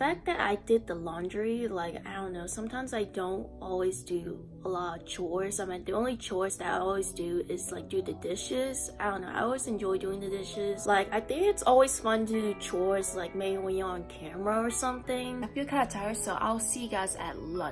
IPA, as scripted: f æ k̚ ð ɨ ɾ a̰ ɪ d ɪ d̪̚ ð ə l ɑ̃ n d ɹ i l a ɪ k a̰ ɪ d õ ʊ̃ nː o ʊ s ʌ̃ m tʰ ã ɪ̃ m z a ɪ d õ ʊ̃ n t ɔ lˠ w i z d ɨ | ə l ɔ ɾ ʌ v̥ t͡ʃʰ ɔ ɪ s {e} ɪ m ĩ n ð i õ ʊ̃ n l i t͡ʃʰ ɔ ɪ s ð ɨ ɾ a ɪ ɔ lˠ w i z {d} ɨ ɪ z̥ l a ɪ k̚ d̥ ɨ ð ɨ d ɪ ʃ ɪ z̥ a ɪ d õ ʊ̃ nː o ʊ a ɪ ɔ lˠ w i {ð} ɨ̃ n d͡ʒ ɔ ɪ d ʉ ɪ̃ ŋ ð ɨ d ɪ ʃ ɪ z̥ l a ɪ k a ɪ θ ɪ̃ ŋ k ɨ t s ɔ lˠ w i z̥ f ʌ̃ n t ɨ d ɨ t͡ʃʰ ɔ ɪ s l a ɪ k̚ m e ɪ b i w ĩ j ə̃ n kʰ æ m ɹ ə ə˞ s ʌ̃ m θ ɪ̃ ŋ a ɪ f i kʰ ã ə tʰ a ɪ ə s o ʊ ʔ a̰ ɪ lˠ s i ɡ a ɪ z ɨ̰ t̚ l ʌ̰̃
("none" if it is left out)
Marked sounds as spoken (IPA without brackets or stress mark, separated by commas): a, d, z